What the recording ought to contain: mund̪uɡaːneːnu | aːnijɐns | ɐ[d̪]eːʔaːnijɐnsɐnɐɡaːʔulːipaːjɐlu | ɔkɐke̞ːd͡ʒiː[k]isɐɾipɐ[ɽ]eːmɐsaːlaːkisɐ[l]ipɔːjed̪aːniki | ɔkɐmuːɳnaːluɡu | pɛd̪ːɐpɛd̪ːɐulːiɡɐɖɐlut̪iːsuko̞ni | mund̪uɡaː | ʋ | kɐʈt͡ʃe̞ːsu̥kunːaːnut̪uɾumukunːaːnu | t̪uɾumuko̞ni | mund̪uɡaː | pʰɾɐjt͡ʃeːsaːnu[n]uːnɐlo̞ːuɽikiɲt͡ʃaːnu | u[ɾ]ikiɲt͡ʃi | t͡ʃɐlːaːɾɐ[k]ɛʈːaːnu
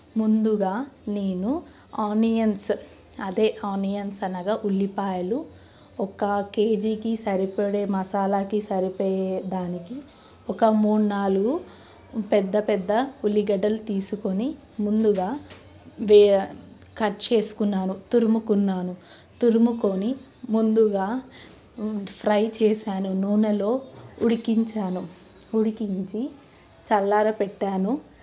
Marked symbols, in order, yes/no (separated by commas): yes, yes, yes, no, yes, no, no